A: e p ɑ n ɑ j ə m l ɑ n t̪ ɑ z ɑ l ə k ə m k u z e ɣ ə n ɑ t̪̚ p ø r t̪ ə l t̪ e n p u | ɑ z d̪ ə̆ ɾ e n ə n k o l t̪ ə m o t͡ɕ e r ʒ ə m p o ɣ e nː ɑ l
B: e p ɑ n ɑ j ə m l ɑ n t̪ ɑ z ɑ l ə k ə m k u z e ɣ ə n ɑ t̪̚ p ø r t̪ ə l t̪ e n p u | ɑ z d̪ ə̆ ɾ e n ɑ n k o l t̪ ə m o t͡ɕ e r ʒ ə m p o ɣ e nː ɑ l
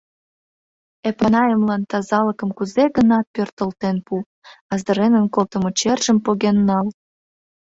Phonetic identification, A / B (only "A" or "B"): A